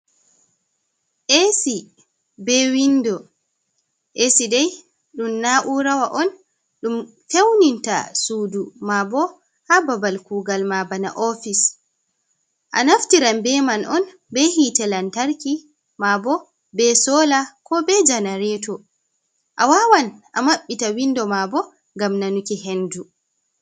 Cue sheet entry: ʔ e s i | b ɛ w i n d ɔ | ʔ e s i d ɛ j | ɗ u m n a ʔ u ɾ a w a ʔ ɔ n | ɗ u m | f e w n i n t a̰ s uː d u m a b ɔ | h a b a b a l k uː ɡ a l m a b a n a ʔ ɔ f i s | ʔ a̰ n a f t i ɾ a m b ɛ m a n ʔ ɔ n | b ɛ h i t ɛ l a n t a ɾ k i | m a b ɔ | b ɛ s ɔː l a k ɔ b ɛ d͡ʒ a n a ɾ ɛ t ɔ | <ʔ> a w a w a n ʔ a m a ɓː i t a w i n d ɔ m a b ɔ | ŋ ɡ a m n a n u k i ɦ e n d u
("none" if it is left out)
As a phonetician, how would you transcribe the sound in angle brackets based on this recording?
ʔ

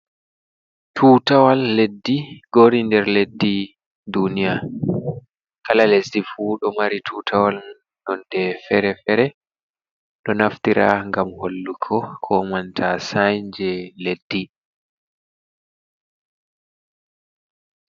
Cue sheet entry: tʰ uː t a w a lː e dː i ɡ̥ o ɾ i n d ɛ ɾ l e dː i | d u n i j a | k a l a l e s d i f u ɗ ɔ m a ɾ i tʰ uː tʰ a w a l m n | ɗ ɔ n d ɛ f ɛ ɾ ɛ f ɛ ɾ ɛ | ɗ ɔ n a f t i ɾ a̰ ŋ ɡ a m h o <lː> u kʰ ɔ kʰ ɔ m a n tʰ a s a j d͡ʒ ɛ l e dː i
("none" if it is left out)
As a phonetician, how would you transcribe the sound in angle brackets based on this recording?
lː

